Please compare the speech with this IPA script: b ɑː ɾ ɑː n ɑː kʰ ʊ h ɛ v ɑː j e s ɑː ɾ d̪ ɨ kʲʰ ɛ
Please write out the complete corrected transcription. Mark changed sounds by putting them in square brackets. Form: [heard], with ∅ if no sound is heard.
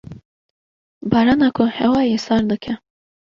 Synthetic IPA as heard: b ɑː ɾ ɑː n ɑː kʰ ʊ h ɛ [w] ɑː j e s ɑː ɾ d̪ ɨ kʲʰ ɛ

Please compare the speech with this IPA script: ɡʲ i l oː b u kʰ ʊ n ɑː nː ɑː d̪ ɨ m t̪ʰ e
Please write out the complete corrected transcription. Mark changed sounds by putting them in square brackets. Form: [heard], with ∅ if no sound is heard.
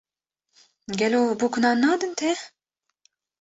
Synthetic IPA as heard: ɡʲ [ɛ] l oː b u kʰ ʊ n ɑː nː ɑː d̪ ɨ [n] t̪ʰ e

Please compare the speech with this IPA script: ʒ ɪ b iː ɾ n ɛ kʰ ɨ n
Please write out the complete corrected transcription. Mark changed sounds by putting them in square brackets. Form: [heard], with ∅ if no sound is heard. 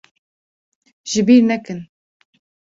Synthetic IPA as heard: ʒ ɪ b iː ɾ n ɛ [k] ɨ n

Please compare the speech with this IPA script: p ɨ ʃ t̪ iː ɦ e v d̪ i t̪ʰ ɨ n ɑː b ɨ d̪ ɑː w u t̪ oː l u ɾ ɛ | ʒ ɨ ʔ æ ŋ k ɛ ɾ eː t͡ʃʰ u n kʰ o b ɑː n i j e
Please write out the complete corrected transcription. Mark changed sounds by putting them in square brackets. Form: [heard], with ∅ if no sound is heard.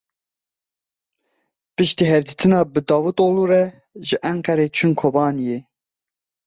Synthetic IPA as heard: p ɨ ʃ t̪ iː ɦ [ɛ] v d̪ i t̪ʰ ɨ n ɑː b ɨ d̪ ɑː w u t̪ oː l u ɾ ɛ | ʒ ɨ ʔ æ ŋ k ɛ ɾ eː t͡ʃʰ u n kʰ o b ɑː n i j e

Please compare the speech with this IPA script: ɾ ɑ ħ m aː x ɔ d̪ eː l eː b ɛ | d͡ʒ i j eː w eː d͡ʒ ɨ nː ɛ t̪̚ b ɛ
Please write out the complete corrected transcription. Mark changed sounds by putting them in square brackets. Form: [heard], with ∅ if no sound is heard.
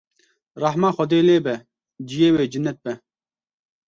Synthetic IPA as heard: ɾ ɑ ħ m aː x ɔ d̪ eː l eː b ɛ | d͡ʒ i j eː w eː d͡ʒ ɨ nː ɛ t̪̚ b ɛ

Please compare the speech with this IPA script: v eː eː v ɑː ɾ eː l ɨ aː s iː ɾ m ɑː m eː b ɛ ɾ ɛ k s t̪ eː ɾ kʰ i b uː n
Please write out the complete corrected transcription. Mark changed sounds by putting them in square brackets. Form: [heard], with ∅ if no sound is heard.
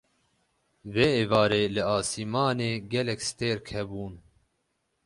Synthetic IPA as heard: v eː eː v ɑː ɾ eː l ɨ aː s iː [∅] m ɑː [n] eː [ɡ] ɛ [l] ɛ k s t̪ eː ɾ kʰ [ɛ] b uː n

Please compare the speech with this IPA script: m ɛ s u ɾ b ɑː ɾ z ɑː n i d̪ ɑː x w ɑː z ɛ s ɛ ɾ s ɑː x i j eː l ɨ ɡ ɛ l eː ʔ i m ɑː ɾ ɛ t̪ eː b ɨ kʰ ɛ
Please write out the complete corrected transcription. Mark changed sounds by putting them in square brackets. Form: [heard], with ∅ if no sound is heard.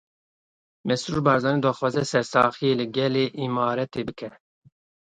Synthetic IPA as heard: m ɛ s u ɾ b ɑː ɾ z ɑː n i d̪ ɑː x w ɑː z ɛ s ɛ ɾ s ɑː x i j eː l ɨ ɡ ɛ l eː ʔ i m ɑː ɾ ɛ t̪ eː b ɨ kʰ ɛ

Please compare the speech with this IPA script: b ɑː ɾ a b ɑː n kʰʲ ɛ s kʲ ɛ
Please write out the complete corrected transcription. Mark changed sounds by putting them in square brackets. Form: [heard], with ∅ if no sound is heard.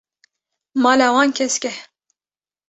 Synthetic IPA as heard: [m] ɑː [l] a [w] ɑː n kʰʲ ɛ s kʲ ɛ

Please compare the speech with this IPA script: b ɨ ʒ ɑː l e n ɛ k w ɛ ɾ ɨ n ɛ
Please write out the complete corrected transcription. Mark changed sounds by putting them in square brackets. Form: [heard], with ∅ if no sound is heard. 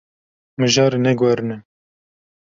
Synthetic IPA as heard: [m] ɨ ʒ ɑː [ɾ] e n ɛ [ɡ] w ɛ ɾ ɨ n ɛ

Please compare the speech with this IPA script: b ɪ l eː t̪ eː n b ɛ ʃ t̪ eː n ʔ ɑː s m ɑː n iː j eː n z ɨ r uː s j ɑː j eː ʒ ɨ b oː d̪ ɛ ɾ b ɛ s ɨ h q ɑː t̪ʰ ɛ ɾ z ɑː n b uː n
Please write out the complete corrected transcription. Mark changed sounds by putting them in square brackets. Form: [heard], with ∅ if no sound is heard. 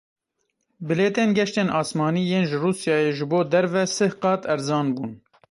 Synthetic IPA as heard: b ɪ l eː t̪ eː n [ɡ] ɛ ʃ t̪ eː n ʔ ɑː s m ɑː n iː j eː n [ʒ] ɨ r uː s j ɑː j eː ʒ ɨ b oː d̪ ɛ ɾ [v] ɛ s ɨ h q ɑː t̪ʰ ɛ ɾ z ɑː n b uː n

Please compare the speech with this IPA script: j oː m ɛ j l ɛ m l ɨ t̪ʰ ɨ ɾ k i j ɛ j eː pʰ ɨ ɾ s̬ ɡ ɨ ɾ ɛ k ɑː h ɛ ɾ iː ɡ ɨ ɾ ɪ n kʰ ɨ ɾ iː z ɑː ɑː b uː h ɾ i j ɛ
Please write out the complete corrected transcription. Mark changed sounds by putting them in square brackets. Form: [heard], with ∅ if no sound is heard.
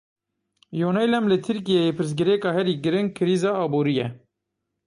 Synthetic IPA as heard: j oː [n] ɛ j l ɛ m l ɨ t̪ʰ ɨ ɾ k i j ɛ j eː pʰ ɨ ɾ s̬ ɡ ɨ ɾ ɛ k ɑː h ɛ ɾ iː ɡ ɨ ɾ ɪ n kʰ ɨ ɾ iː z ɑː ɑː b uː [∅] ɾ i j ɛ

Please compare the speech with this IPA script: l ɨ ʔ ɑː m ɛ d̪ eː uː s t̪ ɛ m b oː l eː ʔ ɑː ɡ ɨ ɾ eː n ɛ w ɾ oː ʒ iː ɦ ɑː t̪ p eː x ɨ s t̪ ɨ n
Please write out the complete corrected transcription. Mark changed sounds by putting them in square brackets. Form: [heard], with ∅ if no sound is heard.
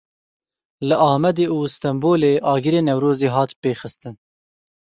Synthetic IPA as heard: l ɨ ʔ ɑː m ɛ d̪ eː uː s t̪ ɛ m b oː l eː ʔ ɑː ɡ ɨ ɾ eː n ɛ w ɾ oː [z] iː ɦ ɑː t̪ p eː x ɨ s t̪ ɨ n

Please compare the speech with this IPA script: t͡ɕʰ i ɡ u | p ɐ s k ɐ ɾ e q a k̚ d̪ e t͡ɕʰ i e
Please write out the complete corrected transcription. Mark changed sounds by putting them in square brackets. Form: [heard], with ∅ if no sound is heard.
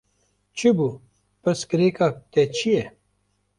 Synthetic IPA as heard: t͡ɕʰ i [b] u | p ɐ s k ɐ ɾ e [k] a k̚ [t̪] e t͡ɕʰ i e

